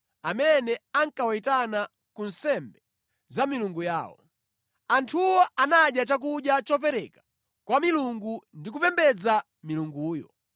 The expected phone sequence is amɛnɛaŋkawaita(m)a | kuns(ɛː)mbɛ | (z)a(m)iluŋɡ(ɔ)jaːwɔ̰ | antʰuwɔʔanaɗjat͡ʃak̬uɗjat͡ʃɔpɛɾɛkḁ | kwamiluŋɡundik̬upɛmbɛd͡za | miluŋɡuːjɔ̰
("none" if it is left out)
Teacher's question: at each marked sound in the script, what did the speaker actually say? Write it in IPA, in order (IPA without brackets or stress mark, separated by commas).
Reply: n, ɛ, z, m, u